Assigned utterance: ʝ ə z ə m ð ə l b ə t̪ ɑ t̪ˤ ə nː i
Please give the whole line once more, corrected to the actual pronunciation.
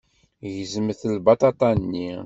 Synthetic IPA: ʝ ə z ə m θ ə l b ɑ t̪ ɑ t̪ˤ ɑ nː i

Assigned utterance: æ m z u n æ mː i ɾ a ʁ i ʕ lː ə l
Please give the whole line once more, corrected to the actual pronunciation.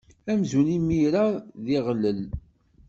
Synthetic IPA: æ m z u n i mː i ɾ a ð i ʁ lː ə l

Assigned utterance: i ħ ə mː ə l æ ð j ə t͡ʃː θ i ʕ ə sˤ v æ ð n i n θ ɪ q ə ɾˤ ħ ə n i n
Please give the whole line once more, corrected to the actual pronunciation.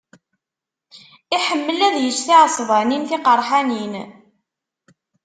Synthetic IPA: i ħ ə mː ə l æ ð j ə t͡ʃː θ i ʕ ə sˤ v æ n i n θ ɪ q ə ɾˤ ħ a n i n

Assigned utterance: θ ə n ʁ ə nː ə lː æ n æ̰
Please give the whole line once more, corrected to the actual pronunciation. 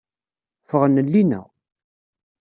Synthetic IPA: f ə ʁ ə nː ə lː i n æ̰

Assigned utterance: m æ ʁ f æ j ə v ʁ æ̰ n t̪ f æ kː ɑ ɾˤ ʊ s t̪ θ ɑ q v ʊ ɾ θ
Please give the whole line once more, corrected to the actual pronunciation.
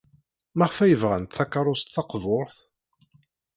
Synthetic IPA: m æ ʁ f æ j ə v ʁ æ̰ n t̪ θ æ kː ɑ ɾˤ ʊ s t̪ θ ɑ q v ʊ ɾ θ

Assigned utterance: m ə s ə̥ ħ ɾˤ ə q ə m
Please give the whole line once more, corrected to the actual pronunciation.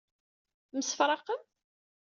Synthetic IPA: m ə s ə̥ f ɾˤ ɑ q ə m

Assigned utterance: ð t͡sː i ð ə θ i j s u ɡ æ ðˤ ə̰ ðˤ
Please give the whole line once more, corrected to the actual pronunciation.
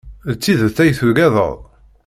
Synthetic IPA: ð t͡sː i ð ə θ æ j θ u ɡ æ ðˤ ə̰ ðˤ

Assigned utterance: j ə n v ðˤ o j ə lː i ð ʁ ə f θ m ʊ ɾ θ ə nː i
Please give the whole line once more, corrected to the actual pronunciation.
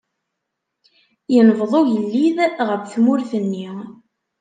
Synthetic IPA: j ə n v ðˤ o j ə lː i ð ʁ ə f θ m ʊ ɾ θ ə nː i

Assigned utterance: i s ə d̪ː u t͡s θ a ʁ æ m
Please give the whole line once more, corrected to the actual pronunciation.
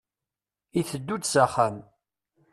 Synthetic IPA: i θ ə d̪ː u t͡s s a χ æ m

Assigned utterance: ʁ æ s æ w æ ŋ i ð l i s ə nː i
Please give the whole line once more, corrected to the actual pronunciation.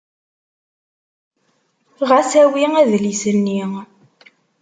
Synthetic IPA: ʁ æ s æ w i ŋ æ ð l i s ə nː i

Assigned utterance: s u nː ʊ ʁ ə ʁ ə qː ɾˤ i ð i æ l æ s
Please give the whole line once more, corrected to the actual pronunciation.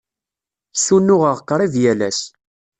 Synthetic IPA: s u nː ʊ ʁ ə ʁ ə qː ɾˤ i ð j æ l æ s

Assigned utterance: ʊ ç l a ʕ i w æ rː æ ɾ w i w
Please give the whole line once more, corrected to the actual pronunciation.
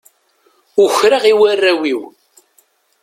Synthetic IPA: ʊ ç ɾ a ʁ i w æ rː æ w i w

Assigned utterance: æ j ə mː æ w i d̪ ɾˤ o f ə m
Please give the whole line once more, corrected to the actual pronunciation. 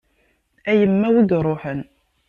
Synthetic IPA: æ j ə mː æ w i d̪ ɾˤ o ħ ə n

